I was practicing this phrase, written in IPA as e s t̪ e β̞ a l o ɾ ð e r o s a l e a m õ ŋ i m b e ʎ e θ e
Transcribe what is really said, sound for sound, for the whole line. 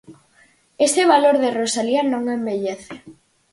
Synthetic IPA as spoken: e s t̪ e β̞ a l o ɾ ð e r o s a l i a n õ ŋ e m b e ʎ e θ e